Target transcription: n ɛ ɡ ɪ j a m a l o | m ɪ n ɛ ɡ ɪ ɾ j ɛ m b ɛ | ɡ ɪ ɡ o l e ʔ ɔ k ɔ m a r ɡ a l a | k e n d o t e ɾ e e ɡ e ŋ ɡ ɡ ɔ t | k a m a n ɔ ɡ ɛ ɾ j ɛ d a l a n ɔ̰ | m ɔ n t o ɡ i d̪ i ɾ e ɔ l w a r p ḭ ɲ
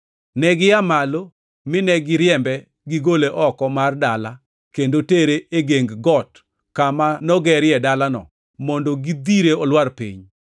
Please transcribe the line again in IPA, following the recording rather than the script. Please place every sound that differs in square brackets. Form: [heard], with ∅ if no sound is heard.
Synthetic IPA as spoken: n ɛ ɡ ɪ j a m a l o | m ɪ n ɛ ɡ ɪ ɾ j ɛ m b ɛ | ɡ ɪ ɡ o l e ʔ ɔ k ɔ m a r [d] a l a | k e n d o t e ɾ e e ɡ e ŋ ɡ ɡ ɔ t | k a m a n ɔ ɡ ɛ ɾ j ɛ d a l a n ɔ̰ | m ɔ n [d] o ɡ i d̪ i ɾ e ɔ l w a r p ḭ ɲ